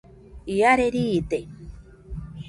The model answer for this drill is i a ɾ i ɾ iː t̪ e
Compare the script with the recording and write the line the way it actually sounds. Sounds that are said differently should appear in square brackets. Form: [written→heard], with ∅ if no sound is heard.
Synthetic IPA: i a ɾ [i→e] ɾ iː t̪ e